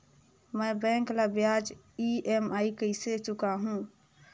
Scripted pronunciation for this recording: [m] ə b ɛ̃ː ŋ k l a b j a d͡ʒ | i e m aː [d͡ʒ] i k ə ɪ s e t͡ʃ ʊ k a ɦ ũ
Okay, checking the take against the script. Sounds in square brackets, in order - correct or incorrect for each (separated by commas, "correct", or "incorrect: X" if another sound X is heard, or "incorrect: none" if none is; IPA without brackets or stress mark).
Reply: correct, incorrect: none